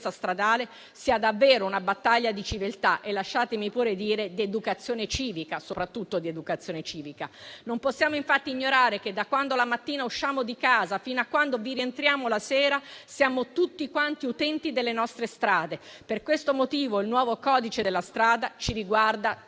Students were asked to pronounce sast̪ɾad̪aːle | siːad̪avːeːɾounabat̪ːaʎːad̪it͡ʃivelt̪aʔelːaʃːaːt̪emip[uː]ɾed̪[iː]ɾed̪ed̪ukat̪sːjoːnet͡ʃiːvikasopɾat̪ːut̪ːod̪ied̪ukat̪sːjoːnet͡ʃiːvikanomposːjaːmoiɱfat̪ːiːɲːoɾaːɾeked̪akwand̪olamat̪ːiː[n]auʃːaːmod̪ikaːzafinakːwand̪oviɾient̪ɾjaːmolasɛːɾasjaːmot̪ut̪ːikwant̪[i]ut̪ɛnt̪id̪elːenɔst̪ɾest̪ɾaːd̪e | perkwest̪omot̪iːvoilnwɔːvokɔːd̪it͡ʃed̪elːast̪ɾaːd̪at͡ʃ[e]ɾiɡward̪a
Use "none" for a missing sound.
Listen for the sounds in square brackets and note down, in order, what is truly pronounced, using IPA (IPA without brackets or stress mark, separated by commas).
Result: uː, iː, n, i, i